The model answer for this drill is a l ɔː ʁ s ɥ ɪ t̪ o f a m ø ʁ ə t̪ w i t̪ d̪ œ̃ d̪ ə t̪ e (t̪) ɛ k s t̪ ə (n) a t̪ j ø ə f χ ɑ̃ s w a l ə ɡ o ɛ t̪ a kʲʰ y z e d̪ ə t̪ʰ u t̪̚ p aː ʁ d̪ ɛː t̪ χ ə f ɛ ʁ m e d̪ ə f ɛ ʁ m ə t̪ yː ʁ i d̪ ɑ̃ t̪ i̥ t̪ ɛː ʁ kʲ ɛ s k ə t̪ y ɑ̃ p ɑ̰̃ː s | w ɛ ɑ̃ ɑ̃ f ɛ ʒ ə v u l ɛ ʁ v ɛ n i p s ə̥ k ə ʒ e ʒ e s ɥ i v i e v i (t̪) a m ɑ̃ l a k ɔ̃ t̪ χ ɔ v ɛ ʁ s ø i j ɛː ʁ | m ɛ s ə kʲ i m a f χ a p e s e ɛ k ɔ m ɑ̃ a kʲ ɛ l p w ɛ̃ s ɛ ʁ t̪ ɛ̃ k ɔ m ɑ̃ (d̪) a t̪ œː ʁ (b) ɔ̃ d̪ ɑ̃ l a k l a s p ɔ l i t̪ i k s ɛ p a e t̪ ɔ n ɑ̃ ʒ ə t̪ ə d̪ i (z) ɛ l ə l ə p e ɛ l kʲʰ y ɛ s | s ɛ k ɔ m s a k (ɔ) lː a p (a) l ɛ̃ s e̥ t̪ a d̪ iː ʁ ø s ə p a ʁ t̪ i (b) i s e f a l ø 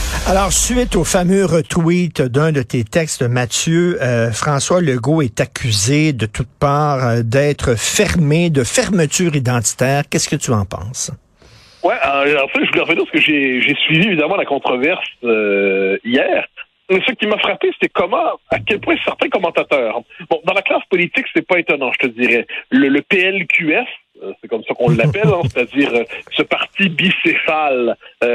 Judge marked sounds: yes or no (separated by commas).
yes, no, no, no, yes, no, no, no, yes